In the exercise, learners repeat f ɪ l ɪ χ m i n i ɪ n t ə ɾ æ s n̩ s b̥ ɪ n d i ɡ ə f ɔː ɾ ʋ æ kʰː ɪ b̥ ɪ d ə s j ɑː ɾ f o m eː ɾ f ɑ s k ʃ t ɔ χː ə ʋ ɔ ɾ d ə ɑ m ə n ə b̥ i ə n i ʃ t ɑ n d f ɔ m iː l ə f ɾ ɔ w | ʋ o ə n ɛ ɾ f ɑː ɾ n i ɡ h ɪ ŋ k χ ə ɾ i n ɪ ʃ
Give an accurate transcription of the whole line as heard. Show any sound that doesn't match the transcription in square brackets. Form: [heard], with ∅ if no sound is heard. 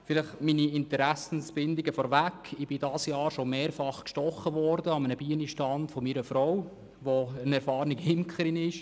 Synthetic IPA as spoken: f ɪ l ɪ χ m i n i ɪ n t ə ɾ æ s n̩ s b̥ ɪ n d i ɡ ə f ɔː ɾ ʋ æ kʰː ɪ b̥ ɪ d [ɑ] s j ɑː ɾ [ʃ] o m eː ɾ f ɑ [χ] k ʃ t ɔ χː ə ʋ ɔ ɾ d ə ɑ m ə n ə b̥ i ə n i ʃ t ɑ n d f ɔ m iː [ɾ] ə f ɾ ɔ w | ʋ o ə n ɛ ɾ f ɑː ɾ n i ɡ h ɪ [m] k χ ə ɾ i n ɪ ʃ